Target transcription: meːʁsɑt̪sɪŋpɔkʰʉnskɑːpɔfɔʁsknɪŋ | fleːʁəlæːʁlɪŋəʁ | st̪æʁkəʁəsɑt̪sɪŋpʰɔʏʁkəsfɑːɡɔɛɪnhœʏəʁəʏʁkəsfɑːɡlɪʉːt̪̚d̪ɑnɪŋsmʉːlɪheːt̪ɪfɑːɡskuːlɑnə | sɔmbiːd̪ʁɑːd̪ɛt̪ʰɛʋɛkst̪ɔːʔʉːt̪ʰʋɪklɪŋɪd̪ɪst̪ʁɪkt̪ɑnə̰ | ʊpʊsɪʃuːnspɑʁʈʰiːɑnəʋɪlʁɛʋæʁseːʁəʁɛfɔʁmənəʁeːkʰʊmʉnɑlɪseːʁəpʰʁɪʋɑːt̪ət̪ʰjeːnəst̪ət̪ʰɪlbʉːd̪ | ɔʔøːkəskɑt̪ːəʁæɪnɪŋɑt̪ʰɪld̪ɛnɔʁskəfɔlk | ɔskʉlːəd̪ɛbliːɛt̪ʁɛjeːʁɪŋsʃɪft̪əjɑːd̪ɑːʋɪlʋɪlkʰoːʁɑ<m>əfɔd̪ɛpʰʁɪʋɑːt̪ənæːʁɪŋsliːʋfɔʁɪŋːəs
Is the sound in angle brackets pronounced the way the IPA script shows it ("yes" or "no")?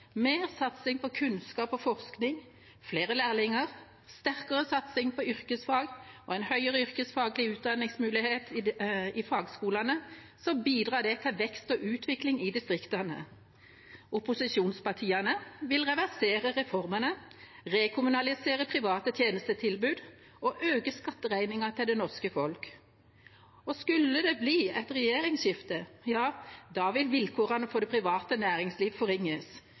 no